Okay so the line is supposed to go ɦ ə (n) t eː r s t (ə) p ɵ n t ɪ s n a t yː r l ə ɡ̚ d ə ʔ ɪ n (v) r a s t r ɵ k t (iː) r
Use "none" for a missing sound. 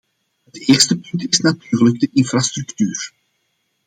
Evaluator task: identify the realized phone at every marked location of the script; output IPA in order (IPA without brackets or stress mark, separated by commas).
none, ə, f, yː